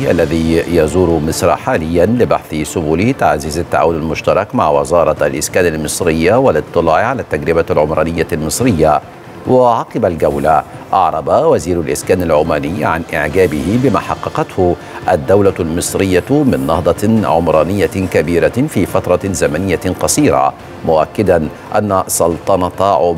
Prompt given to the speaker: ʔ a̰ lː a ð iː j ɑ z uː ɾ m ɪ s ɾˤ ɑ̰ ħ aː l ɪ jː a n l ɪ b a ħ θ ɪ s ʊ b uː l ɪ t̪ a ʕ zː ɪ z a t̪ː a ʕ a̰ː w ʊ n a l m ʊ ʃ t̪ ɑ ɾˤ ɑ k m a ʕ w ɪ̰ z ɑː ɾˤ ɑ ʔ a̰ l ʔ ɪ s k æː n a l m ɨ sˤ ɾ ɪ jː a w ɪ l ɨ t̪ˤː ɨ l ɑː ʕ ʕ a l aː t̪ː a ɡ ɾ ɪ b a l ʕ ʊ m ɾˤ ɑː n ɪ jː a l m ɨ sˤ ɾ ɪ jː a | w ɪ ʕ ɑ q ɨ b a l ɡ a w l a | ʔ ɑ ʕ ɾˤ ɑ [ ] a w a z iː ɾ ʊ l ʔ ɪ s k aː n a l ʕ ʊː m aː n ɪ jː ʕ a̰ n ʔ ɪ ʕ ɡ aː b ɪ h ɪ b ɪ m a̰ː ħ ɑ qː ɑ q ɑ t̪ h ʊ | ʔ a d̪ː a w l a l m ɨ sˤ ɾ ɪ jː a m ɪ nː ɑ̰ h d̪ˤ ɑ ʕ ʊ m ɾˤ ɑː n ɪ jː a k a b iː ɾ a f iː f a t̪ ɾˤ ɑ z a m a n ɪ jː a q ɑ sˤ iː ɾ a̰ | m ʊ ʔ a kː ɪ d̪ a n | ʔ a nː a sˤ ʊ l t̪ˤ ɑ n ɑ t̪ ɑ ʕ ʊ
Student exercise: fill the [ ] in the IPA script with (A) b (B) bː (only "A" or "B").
A